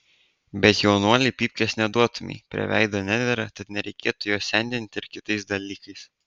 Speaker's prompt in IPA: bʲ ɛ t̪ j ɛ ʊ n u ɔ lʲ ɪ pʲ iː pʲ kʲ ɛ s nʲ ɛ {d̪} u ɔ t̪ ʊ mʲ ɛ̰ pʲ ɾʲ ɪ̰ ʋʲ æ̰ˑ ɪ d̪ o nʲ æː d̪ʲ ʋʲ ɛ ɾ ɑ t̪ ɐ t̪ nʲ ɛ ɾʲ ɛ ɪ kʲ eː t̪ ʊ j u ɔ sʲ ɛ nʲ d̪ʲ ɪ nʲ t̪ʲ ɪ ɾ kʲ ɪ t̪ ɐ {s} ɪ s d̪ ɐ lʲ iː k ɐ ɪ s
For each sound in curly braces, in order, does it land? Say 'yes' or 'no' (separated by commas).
yes, no